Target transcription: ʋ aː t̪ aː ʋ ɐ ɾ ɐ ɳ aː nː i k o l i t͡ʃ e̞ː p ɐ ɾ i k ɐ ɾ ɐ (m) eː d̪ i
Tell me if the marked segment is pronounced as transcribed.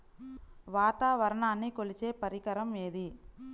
yes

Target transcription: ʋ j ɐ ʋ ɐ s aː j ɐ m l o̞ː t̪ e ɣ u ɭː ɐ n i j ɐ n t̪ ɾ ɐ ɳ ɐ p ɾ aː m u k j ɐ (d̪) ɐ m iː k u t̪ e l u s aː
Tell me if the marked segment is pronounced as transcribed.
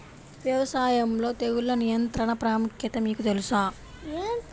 no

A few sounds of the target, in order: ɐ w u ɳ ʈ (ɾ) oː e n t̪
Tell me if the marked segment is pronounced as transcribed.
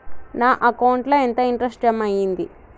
no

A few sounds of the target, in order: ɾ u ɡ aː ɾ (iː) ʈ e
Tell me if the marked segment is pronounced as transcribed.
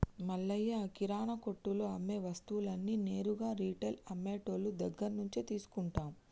yes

